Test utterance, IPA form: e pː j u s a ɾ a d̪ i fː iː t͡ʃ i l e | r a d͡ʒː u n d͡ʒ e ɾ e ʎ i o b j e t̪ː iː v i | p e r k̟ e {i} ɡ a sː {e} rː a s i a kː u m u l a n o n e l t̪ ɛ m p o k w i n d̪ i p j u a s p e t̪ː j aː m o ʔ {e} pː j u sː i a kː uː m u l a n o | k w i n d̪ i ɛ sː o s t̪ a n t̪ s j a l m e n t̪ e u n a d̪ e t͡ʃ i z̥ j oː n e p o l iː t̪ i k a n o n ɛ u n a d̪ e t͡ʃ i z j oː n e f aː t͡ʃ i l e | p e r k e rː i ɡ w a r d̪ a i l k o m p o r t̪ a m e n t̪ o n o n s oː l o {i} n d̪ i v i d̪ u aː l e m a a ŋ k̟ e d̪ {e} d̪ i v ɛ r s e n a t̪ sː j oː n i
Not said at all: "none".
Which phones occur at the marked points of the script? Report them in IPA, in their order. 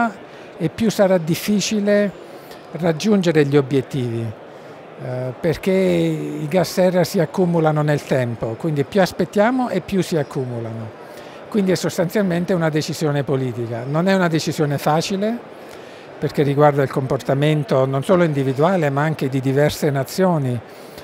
i, ɛ, e, i, i

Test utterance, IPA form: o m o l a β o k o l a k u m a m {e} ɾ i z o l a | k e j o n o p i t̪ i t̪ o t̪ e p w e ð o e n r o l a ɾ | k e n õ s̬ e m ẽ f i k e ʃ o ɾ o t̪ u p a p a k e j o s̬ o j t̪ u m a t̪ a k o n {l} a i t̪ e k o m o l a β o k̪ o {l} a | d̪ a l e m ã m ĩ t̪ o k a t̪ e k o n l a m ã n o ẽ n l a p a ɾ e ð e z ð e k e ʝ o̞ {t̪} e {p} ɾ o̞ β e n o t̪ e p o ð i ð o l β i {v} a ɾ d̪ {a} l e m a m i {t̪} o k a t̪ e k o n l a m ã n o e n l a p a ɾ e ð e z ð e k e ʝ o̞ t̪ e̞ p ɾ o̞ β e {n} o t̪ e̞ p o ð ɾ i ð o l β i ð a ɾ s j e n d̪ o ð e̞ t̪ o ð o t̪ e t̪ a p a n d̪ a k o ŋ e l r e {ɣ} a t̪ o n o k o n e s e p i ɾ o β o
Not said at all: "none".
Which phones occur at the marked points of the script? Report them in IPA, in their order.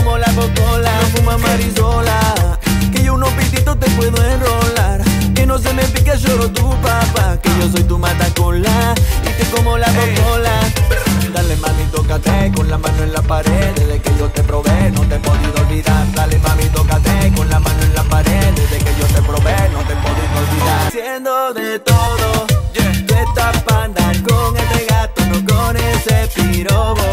a, l, l, t̪, p, ð, a, t̪, n, ɣ

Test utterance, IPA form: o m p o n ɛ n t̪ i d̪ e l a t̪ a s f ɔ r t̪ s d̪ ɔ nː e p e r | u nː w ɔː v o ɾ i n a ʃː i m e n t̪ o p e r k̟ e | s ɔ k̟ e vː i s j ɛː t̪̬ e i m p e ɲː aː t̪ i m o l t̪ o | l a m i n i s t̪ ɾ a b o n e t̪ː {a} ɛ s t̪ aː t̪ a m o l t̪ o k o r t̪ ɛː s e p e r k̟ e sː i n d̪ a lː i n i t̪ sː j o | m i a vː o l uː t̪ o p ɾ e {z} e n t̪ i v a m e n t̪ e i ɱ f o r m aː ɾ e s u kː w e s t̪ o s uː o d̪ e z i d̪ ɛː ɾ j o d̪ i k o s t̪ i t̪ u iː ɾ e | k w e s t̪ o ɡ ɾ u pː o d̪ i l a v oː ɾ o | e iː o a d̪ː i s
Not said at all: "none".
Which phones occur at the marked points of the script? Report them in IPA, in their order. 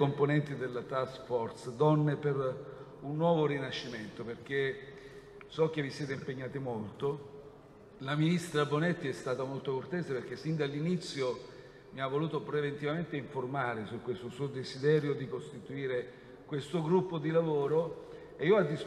i, v

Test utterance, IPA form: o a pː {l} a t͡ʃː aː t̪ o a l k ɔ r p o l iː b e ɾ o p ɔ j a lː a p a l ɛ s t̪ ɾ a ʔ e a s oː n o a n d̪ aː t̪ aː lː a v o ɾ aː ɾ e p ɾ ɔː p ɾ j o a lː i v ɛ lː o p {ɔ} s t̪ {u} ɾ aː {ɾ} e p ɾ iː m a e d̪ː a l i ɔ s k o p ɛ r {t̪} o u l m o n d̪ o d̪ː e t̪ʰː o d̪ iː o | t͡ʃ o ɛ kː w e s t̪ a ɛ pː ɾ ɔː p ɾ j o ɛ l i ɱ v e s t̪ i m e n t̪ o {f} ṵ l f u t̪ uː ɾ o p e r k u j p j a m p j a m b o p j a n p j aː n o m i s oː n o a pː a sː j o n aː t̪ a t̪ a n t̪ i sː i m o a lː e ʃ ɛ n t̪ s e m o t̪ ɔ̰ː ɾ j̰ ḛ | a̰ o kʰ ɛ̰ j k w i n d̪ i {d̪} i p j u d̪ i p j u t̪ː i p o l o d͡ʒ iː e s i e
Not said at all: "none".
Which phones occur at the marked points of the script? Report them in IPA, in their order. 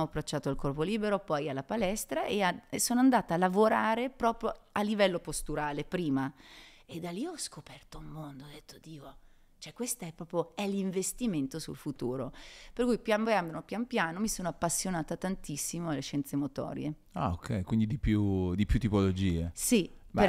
ɾ, o, u, l, t̪, s, d̪

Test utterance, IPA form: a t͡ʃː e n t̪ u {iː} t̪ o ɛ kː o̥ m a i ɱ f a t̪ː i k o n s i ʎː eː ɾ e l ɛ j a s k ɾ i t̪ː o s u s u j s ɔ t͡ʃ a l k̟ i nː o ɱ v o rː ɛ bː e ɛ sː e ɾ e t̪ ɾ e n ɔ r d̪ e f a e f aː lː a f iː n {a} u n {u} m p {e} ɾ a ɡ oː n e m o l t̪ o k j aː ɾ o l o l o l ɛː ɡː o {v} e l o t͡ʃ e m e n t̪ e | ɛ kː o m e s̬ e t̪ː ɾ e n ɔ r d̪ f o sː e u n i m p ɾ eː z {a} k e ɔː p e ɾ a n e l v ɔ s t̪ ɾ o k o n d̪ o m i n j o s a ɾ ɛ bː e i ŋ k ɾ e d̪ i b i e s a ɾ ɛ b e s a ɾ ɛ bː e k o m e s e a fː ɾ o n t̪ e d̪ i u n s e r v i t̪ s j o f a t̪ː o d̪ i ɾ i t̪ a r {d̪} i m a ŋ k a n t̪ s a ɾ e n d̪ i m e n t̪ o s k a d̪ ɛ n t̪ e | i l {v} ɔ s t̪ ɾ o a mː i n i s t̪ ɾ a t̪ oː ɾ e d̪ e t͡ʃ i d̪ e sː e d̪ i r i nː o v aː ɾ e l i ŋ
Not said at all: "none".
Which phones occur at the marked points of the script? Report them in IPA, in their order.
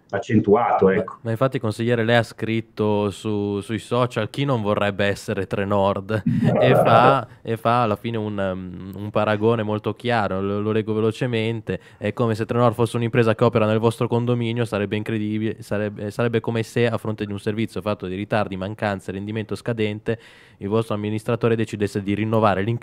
aː, e, u, a, v, a, d̪, v

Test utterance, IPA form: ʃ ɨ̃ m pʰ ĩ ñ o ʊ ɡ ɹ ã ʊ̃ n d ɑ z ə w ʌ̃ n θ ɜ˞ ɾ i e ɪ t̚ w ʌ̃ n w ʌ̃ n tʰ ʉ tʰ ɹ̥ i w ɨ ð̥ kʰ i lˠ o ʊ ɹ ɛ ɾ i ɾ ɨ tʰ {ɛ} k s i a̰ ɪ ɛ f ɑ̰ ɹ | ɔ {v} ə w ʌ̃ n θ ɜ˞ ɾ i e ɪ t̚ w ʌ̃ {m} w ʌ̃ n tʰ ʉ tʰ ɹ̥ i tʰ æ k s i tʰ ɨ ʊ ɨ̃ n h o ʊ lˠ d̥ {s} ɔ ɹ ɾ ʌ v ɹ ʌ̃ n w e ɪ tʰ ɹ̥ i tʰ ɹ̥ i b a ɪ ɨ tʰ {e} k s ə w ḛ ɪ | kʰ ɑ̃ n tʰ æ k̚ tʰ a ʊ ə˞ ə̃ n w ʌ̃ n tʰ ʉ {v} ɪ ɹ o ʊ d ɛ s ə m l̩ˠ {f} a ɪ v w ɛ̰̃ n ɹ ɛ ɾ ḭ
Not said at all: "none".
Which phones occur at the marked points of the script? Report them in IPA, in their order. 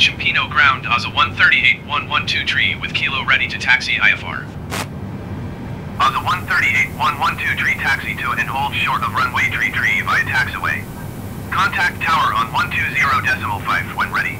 æ, z, n, ʃ, æ, z, f

